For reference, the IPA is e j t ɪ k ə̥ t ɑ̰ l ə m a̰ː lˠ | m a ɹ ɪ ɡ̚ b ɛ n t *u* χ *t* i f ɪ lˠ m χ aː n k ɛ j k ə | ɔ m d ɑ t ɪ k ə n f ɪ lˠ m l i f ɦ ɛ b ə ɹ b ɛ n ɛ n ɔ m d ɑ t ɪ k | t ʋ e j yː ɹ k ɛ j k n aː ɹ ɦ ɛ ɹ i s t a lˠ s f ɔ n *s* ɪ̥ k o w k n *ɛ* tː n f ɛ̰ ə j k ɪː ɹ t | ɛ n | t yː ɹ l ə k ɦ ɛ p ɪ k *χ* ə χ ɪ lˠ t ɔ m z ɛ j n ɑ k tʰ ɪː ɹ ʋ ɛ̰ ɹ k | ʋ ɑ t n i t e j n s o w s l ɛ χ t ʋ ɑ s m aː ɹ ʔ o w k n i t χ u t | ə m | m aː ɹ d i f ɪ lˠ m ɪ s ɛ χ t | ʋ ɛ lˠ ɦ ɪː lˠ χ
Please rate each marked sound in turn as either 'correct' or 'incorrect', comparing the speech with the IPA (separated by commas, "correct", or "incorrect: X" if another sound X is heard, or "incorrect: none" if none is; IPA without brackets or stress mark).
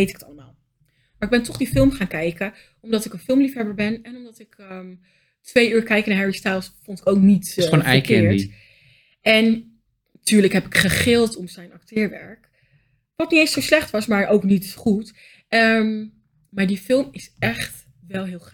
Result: incorrect: ɔ, incorrect: d, incorrect: t, incorrect: i, correct